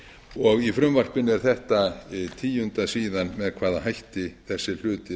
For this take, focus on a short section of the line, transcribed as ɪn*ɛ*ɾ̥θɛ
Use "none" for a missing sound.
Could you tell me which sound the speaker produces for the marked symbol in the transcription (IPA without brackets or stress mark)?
ɛ